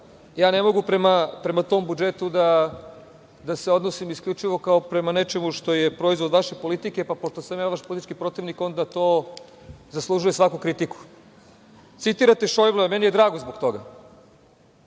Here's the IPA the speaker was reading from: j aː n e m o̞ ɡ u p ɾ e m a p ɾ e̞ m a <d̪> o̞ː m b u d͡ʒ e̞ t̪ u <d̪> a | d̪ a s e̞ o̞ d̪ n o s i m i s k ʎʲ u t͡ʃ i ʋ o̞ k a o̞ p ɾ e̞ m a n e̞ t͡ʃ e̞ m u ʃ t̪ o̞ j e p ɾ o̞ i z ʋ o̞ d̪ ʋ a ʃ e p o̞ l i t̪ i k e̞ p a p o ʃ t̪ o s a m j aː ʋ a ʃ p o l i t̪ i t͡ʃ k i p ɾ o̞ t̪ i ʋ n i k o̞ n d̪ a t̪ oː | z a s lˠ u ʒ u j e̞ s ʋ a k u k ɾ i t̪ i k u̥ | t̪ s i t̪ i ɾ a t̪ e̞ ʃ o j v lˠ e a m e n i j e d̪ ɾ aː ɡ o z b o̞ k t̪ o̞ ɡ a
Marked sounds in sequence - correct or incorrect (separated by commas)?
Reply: incorrect, correct